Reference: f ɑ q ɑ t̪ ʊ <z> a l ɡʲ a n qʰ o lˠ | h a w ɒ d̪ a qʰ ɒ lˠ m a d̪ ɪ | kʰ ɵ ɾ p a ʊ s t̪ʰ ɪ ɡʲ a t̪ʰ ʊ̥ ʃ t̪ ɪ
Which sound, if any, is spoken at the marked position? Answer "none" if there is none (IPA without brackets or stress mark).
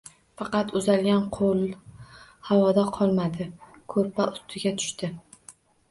z